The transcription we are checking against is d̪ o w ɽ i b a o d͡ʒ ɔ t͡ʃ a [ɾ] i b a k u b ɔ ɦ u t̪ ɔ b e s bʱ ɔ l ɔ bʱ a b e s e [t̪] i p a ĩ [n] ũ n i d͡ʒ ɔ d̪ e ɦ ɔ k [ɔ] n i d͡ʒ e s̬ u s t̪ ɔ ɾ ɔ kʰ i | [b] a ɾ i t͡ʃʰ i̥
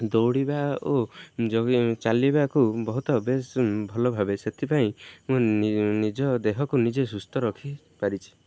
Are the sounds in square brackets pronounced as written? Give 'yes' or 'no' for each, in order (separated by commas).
no, no, no, no, no